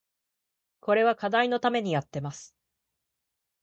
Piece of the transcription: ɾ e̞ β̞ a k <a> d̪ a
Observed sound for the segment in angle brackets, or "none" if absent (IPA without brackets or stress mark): a